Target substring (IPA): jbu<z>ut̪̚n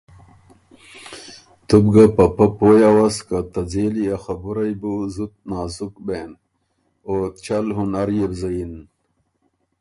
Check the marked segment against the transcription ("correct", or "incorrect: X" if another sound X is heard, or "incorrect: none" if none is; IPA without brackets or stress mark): correct